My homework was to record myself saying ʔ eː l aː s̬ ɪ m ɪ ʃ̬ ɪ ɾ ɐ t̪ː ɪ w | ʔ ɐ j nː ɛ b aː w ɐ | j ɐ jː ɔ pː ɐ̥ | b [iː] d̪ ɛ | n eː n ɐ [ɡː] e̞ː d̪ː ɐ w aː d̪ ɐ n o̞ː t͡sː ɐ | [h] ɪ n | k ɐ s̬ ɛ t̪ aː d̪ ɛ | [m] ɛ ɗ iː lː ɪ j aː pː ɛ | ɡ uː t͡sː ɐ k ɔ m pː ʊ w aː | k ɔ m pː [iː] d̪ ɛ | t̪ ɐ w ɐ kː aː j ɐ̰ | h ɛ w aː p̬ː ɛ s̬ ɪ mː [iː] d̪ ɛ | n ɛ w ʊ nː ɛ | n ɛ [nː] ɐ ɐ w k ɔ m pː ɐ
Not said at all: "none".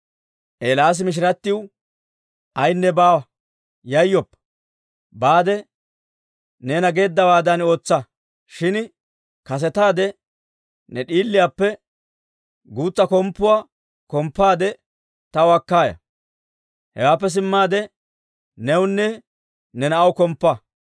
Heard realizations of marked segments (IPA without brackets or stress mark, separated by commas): aː, ɡ, ʃ, n, aː, aː, n